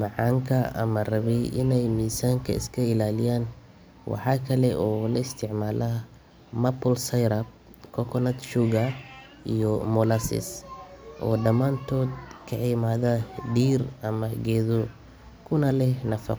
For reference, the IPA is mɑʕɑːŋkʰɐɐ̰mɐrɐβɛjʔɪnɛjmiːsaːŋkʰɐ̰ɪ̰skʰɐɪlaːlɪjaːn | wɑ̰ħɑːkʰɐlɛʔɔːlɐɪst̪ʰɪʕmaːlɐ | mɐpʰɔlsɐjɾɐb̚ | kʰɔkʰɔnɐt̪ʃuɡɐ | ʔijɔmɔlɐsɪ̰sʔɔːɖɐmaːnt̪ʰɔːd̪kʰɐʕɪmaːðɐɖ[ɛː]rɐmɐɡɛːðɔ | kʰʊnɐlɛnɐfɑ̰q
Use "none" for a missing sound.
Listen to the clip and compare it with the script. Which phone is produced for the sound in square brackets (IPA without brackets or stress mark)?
iː